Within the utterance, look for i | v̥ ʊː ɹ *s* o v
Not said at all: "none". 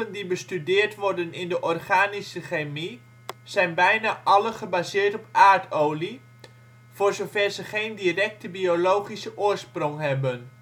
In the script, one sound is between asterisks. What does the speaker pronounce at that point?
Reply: z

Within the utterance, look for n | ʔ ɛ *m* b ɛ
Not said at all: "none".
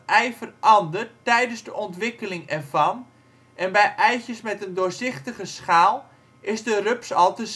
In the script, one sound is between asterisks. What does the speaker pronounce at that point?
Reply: n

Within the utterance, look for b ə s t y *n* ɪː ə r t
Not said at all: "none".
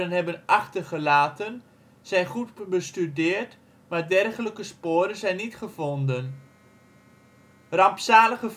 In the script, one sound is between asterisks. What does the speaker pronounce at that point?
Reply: d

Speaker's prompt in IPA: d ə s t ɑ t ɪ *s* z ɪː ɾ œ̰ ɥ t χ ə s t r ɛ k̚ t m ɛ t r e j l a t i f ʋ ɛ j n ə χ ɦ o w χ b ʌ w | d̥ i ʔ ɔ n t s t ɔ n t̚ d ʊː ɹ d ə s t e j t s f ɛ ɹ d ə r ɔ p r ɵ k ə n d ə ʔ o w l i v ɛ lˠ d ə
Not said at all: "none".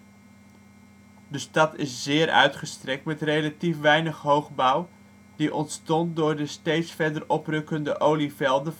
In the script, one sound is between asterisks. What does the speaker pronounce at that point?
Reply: s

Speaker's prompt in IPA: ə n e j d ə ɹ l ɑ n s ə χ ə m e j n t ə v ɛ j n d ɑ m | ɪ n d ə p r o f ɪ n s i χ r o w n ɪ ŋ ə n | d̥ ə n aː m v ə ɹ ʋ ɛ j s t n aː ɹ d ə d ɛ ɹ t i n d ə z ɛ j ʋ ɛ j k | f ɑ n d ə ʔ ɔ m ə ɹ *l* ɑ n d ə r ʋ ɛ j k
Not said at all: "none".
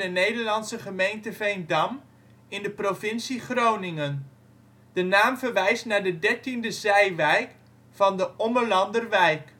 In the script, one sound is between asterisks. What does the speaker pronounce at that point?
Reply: l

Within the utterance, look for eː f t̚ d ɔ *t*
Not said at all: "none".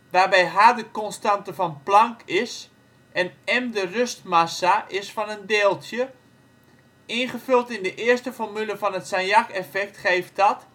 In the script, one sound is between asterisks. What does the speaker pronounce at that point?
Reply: t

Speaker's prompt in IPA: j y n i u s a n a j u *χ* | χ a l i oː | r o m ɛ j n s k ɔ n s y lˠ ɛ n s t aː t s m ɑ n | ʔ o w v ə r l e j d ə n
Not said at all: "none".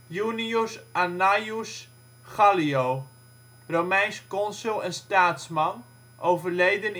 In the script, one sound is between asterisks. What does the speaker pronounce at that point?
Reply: s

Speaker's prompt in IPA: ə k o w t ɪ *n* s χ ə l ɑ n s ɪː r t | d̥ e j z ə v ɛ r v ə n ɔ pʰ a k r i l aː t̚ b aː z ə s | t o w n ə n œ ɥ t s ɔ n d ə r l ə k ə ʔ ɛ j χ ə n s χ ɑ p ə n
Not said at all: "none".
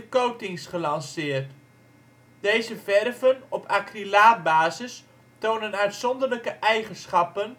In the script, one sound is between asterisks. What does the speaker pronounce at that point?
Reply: ŋ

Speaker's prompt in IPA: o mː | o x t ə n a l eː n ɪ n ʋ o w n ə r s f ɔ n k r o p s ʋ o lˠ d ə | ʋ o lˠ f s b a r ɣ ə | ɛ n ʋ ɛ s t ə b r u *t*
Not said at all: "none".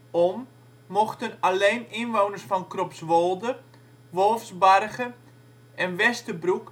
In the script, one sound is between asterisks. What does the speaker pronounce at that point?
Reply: k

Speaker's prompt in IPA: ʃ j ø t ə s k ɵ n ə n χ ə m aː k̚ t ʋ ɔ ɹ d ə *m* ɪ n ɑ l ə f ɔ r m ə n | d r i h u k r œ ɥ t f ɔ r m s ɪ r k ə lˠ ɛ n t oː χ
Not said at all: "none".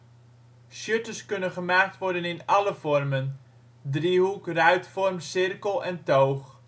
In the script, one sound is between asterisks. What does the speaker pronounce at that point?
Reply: n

